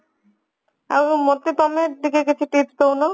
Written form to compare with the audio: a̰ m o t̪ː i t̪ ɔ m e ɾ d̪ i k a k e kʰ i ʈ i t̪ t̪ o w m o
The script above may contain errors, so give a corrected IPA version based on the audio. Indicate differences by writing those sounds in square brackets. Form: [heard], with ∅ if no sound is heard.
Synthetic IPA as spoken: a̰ m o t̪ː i t̪ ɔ m e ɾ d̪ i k [e] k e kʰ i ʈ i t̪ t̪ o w [n] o